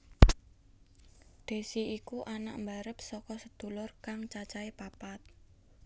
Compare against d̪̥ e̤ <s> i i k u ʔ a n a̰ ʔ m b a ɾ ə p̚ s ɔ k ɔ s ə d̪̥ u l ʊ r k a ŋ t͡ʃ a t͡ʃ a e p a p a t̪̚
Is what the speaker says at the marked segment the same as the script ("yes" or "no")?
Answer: yes